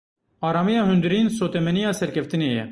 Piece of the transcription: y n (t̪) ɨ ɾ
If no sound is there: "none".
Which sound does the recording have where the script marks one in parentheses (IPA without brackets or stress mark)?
d̪